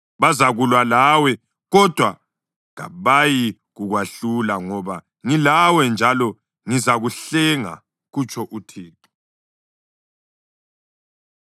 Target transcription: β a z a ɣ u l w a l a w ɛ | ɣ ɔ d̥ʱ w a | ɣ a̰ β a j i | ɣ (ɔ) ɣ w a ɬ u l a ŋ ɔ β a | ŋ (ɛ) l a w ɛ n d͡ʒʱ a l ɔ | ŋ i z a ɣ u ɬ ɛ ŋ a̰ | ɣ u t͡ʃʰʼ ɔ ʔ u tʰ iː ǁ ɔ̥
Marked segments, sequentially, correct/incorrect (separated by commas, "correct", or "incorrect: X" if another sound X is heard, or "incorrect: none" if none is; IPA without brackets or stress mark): incorrect: u, incorrect: i